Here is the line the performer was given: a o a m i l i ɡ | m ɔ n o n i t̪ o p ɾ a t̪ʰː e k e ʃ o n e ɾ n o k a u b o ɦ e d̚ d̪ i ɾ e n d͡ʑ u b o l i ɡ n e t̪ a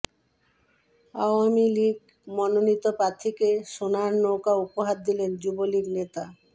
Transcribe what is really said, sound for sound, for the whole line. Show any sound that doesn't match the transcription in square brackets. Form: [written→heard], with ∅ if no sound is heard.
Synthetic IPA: a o a m i l i ɡ | m ɔ n o n i t̪ o p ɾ a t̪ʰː [e→i] k e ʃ o n [e→a] ɾ n o k a u [b→p] o ɦ [e→a] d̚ d̪ i [ɾ→l] e n d͡ʑ u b o l i ɡ n e t̪ a